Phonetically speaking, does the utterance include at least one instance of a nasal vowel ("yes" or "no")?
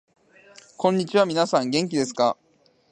yes